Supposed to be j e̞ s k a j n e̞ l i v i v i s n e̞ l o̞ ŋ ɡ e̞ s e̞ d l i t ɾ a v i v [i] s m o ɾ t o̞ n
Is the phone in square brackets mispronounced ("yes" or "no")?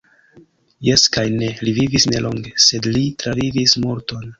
no